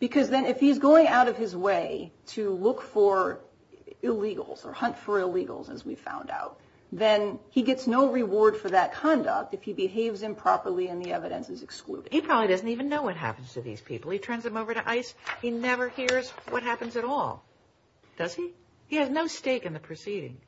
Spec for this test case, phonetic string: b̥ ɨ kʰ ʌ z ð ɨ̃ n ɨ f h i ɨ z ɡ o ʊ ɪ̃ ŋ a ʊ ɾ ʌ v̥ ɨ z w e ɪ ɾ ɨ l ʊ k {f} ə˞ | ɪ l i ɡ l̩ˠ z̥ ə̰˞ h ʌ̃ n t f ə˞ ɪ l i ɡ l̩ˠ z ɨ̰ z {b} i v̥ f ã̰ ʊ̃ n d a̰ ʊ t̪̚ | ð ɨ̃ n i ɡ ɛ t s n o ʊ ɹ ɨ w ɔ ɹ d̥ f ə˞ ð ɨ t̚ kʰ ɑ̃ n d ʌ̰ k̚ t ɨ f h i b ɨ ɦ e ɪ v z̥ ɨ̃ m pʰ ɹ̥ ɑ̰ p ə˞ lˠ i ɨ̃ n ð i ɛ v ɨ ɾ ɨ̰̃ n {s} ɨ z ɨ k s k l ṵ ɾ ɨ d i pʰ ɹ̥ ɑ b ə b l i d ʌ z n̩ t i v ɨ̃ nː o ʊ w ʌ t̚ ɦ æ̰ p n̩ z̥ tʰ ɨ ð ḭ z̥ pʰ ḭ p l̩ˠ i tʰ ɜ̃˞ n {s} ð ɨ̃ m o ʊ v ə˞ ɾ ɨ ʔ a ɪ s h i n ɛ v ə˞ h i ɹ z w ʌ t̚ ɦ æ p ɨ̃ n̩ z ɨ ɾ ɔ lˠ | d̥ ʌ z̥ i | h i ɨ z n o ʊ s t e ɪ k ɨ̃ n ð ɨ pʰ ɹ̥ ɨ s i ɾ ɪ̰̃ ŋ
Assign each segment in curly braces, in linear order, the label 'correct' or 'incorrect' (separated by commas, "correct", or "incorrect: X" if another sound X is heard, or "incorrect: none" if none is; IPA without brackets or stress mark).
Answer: correct, incorrect: w, correct, incorrect: z